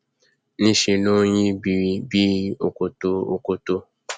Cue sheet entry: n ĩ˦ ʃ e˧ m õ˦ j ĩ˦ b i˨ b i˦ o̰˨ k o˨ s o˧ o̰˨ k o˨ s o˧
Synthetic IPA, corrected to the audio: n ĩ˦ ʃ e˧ n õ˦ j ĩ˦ b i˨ b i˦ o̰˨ k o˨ t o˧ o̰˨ k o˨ t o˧